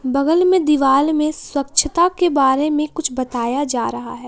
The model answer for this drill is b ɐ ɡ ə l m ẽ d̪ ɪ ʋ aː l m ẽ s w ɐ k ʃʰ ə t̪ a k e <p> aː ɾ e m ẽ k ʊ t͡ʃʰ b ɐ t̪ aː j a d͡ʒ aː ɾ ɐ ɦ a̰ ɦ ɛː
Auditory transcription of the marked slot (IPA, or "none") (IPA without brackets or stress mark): b